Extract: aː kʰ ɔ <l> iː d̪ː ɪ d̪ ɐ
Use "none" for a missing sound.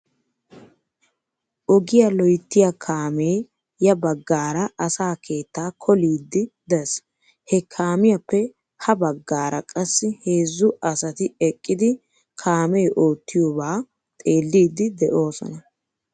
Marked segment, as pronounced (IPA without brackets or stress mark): l